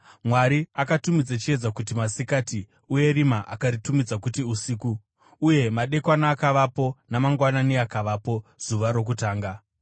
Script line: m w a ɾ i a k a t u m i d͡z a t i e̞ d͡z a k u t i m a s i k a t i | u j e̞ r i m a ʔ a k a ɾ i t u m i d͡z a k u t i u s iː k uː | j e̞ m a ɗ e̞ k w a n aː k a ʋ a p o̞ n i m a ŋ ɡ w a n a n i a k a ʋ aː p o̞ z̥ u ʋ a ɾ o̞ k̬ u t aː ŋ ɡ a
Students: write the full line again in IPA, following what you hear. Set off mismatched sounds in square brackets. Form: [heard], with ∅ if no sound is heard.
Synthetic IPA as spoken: m w a ɾ i a k a t u m i d͡z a [t͡ʃ] i e̞ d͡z a k u t i m a s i k a t i | u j e̞ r i m a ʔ a k a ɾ i t u m i d͡z a k u t i u s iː k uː | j e̞ m a ɗ e̞ k w a n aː k a ʋ a p o̞ n [a] m a ŋ ɡ w a n a n i a k a ʋ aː p o̞ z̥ u ʋ a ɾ o̞ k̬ u t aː ŋ ɡ a

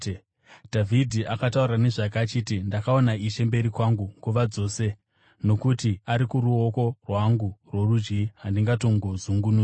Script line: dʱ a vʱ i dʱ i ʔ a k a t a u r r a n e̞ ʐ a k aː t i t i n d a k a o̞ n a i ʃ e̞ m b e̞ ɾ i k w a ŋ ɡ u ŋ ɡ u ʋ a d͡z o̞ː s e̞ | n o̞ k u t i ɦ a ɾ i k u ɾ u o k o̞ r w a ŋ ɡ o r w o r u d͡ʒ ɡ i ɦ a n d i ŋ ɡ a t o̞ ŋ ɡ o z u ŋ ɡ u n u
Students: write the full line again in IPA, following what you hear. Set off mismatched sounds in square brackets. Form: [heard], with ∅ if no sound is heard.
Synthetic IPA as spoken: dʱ a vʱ i dʱ i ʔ a k a t a u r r a n e̞ ʐ a k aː [t͡ʃ] i t i n d a k a o̞ n a i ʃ e̞ m b e̞ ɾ i k w a ŋ ɡ u ŋ ɡ u ʋ a d͡z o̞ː s e̞ | n o̞ k u t i [∅] a ɾ i k u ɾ u o k o̞ r w a ŋ ɡ [u] r w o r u d͡ʒ ɡ i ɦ a n d i ŋ ɡ a t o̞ ŋ ɡ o z u ŋ ɡ u n u

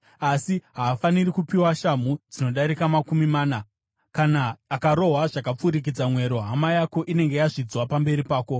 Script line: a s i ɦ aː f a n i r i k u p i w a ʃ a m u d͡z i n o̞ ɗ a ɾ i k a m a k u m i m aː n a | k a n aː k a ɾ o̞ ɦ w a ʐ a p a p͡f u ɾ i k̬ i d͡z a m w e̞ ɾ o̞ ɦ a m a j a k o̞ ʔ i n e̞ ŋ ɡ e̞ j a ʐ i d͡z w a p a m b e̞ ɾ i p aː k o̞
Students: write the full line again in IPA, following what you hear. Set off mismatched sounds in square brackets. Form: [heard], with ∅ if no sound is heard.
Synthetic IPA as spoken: a s i ɦ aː f a n i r i k u p i w a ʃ a m u d͡z i n o̞ ɗ a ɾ i k a m a k u m i m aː n a | k a n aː k a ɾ o̞ ɦ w a ʐ a [k] a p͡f u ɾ i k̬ i d͡z a m w e̞ ɾ o̞ ɦ a m a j a k o̞ ʔ i n e̞ ŋ ɡ e̞ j a ʐ i d͡z w a p a m b e̞ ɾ i p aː k o̞

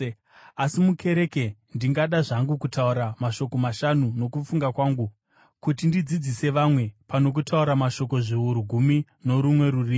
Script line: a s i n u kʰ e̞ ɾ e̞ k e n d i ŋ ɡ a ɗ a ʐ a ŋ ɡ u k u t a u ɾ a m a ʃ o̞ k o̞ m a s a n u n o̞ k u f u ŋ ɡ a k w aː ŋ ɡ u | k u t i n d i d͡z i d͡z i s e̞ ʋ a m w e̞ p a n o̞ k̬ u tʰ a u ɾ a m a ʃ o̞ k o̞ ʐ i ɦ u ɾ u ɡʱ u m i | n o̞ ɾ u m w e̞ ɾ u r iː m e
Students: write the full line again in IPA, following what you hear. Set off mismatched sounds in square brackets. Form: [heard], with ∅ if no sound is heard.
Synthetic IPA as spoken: a s i [m] u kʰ e̞ ɾ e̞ k e n d i ŋ ɡ a ɗ a ʐ a ŋ ɡ u k u t a u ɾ a m a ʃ o̞ k o̞ m a [ʃ] a n u n o̞ k u f u ŋ ɡ a k w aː ŋ ɡ u | k u t i n d i d͡z i d͡z i s e̞ ʋ a m w e̞ p a n o̞ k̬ u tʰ a u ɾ a m a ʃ o̞ k o̞ ʐ i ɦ u ɾ u ɡʱ u m i | n o̞ ɾ u m w e̞ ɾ u r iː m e

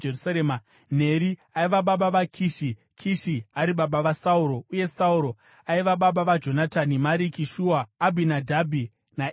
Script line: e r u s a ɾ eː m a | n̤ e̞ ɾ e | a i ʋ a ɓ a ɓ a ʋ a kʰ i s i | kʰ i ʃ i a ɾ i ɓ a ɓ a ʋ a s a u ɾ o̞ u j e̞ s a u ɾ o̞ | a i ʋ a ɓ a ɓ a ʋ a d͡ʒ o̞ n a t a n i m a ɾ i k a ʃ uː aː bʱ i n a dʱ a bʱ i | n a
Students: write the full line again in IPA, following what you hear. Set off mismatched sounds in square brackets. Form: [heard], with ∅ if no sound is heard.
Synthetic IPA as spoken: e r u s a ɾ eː m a | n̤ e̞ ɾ [i] | a i ʋ a ɓ a ɓ a ʋ a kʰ i [ʃ] i | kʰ i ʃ i a ɾ i ɓ a ɓ a ʋ a s a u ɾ o̞ u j e̞ s a u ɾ o̞ | a i ʋ a ɓ a ɓ a ʋ a d͡ʒ o̞ n a t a n i m a ɾ i k [i] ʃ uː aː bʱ i n a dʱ a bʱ i | n a

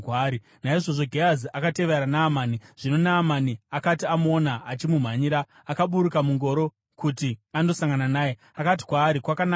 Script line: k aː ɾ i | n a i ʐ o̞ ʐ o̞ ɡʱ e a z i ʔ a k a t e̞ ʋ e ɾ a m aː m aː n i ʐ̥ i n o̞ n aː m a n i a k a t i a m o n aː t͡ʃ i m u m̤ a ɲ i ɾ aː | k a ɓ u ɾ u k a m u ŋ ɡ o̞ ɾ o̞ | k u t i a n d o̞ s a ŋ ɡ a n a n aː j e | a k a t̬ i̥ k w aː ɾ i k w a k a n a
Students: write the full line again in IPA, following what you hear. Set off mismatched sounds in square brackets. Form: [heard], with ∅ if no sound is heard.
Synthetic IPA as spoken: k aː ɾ i | n a i ʐ o̞ ʐ o̞ ɡʱ e a z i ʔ a k a t e̞ ʋ e ɾ a [n] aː m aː n i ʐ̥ i n o̞ n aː m a n i a k a t i a m o n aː t͡ʃ i m u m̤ a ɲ i ɾ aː | k a ɓ u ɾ u k a m u ŋ ɡ o̞ ɾ o̞ | k u t i a n d o̞ s a ŋ ɡ a n a n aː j e | a k a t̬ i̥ k w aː ɾ i k w a k a n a

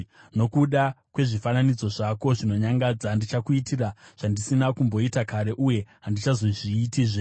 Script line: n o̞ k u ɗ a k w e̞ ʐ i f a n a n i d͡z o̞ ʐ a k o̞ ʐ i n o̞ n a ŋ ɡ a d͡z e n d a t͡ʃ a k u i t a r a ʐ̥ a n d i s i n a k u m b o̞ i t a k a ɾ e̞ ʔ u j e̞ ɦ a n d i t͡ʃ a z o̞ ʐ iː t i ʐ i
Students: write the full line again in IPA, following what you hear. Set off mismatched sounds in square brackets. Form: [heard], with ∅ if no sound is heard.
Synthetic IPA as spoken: n o̞ k u ɗ a k w e̞ ʐ i f a n a n i d͡z o̞ ʐ a k o̞ ʐ i n o̞ [ɲ] a ŋ ɡ a d͡z [a] n d [i] t͡ʃ a k u i t [i] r a ʐ̥ a n d i s i n a k u m b o̞ i t a k a ɾ e̞ ʔ u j e̞ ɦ a n d i t͡ʃ a z o̞ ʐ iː t i ʐ [e]

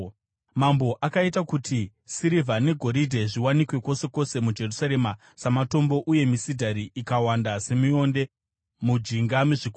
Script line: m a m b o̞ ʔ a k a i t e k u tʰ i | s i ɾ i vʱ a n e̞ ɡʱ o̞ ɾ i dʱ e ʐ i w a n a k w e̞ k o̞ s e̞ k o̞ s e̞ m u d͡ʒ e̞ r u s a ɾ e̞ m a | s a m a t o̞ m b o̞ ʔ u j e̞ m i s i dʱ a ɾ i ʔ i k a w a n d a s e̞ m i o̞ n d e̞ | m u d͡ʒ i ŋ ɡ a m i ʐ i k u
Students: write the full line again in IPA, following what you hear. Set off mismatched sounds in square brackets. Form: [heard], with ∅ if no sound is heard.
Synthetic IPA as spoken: m a m b o̞ ʔ a k a i t [a] k u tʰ i | s i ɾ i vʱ a n e̞ ɡʱ o̞ ɾ i dʱ e ʐ i w a n [i] k w e̞ k o̞ s e̞ k o̞ s e̞ m u d͡ʒ e̞ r u s a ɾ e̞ m a | s a m a t o̞ m b o̞ ʔ u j e̞ m i s i dʱ a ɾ i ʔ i k a w a n d a s e̞ m i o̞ n d e̞ | m u d͡ʒ i ŋ ɡ a m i ʐ i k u

